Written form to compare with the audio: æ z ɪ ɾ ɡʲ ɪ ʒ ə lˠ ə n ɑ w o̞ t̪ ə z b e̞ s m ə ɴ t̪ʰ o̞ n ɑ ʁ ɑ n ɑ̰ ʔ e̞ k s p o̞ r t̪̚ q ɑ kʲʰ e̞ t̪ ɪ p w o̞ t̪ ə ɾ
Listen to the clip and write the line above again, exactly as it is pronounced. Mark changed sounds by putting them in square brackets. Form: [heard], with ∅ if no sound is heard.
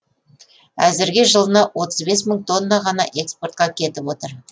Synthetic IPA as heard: æ z ɪ ɾ ɡʲ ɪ ʒ ə lˠ ə n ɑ w o̞ t̪ ə z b e̞ s m ə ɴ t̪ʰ o̞ [nː] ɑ ʁ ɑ n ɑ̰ ʔ e̞ k s p o̞ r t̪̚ q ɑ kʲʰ e̞ t̪ ɪ p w o̞ t̪ ə ɾ